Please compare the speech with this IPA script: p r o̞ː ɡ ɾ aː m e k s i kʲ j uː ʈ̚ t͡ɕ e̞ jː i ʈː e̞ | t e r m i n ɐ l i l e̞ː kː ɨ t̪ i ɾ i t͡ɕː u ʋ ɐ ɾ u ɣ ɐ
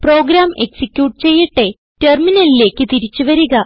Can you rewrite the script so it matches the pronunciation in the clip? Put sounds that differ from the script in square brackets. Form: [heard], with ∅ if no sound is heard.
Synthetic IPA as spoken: p r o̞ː ɡ ɾ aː m e k s i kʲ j uː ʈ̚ t͡ɕ e̞ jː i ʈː e̞ | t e r m i n ɐ l i l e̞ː kː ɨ t̪ i ɾ i t͡ɕː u ʋ ɐ ɾ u ɣ ɐ